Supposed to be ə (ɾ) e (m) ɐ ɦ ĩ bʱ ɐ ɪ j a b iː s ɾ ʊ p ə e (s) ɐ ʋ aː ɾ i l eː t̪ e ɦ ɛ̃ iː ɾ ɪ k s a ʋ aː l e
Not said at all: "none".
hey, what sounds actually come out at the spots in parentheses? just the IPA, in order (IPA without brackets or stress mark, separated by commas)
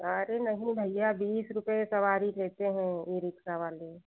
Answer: ɾ, n, s